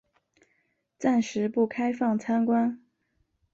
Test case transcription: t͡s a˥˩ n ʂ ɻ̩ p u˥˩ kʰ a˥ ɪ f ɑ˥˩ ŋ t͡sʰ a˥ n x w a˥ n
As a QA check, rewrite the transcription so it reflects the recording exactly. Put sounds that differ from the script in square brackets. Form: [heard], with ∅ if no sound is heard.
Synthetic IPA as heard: t͡s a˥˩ n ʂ ɻ̩ p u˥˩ kʰ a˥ ɪ f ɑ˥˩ ŋ t͡sʰ a˥ n [k] w a˥ n